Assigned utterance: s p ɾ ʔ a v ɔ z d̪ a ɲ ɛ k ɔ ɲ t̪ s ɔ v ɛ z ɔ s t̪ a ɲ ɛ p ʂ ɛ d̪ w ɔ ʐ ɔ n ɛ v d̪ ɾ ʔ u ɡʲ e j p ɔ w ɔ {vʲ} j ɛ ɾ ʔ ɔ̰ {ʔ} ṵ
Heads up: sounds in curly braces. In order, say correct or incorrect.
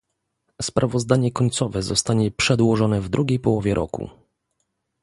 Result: correct, incorrect: k

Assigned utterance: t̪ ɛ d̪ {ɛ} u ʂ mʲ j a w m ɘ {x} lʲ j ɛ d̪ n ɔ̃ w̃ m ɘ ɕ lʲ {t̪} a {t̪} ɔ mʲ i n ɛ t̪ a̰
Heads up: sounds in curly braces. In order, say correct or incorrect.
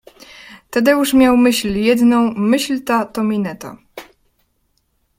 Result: correct, incorrect: ɕ, correct, correct

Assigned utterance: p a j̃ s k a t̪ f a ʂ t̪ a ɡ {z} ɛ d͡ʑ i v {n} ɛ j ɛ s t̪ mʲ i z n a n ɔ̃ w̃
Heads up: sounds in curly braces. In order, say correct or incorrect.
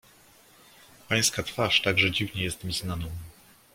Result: incorrect: ʐ, incorrect: ɲ

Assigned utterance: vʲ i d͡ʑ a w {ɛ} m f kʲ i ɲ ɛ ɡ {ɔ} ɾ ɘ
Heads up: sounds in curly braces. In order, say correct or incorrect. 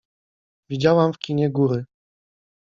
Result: incorrect: a, incorrect: u

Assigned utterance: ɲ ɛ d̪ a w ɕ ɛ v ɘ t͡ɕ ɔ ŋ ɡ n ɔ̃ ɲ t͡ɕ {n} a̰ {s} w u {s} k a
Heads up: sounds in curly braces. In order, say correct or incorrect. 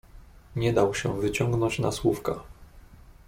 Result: correct, correct, incorrect: f

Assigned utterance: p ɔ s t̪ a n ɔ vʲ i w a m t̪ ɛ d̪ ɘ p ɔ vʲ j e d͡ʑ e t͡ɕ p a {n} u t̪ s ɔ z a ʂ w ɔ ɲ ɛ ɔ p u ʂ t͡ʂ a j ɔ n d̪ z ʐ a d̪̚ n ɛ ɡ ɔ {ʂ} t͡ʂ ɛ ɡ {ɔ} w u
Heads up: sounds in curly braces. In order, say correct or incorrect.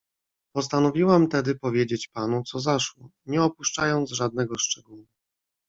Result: correct, correct, incorrect: u

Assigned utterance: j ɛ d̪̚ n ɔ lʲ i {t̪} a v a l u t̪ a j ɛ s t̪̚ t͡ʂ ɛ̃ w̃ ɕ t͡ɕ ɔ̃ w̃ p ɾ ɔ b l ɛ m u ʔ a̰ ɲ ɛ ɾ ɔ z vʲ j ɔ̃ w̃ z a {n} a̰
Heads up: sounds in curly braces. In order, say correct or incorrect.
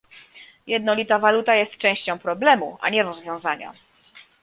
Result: correct, incorrect: ɲ

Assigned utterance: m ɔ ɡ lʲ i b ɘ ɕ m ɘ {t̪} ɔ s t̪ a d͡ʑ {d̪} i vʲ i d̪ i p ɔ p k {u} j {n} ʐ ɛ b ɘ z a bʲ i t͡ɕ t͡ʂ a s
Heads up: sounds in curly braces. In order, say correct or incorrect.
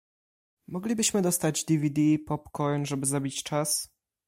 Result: incorrect: d̪, correct, incorrect: ɔ, correct

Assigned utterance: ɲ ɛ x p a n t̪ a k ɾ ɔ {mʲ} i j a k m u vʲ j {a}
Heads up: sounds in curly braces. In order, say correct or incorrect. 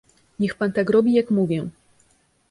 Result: incorrect: bʲ, incorrect: ɛ

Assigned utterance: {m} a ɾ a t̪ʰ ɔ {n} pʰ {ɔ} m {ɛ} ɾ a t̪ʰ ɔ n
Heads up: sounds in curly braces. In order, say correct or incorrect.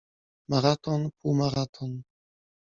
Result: correct, correct, incorrect: u, incorrect: a

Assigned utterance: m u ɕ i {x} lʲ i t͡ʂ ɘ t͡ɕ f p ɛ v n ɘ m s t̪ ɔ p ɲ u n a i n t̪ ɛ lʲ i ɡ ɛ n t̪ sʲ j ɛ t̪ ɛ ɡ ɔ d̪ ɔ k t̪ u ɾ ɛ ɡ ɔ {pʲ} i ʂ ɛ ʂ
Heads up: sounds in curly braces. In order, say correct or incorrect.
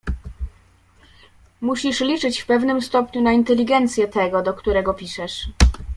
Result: incorrect: ʂ, correct

